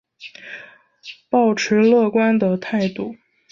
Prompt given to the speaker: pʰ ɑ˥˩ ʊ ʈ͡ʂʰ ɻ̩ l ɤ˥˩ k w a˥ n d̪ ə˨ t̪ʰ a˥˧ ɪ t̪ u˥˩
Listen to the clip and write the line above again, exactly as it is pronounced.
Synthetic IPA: p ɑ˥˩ ʊ ʈ͡ʂʰ ɻ̩ l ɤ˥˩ k w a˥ n d̪ ə˨ t̪ʰ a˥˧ ɪ t̪ u˥˩